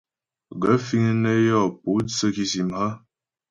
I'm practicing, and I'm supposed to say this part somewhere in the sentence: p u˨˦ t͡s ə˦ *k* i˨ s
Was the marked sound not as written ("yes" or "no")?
no